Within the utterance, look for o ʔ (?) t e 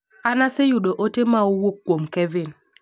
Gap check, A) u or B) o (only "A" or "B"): B